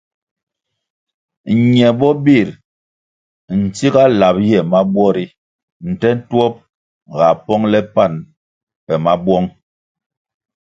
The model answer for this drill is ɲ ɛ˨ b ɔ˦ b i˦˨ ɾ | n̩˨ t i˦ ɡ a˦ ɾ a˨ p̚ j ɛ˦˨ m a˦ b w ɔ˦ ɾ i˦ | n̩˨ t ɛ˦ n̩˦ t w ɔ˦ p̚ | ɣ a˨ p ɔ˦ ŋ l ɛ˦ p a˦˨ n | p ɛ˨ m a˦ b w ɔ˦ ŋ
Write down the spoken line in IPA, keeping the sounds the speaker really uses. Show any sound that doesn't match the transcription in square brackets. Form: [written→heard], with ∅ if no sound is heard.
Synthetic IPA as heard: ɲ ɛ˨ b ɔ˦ b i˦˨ ɾ | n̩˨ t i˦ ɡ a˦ [ɾ→l] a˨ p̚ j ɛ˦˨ m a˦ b w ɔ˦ ɾ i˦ | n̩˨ t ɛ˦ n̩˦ t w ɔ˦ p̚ | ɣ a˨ p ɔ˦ ŋ l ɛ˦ p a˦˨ n | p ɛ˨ m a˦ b w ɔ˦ ŋ